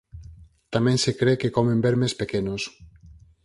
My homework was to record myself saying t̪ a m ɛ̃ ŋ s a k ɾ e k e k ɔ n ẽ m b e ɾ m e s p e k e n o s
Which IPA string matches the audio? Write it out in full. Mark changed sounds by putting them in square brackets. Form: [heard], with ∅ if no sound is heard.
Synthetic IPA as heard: t̪ a m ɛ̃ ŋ s [e] k ɾ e k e k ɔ [m] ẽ m b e ɾ m e s p e k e n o s